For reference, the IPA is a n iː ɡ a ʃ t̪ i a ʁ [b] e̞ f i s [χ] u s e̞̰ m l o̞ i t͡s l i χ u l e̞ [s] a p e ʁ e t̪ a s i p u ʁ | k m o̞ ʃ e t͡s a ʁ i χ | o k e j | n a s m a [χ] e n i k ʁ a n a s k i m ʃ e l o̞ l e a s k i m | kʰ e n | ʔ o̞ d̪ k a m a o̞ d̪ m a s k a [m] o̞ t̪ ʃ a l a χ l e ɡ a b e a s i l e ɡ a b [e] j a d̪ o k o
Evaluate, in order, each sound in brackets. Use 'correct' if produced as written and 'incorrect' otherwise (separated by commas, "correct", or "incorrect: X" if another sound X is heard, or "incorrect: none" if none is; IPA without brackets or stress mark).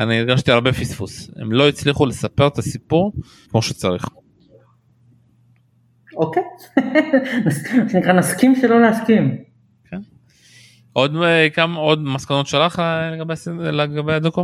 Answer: correct, incorrect: f, correct, incorrect: ʃ, incorrect: n, correct